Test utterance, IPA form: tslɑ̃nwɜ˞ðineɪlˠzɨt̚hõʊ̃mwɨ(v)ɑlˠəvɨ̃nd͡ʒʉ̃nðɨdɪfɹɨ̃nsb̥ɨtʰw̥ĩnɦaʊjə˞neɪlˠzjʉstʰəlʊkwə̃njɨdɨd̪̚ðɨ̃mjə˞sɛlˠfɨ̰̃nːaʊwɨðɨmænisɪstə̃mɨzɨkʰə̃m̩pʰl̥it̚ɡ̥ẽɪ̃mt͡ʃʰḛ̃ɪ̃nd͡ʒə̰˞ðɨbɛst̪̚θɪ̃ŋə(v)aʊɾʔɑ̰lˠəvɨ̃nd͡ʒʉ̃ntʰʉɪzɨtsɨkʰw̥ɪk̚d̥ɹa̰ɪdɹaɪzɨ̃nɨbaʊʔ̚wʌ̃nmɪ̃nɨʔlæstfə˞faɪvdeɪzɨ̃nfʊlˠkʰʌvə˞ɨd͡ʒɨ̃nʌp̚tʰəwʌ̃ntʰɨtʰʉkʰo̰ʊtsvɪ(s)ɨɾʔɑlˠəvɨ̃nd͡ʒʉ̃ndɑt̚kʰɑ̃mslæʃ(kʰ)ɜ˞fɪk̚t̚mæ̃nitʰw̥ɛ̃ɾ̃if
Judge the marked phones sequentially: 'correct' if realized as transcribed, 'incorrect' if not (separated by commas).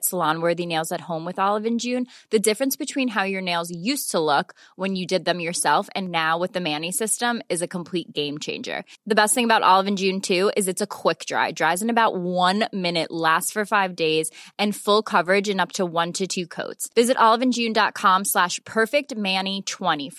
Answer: incorrect, incorrect, incorrect, incorrect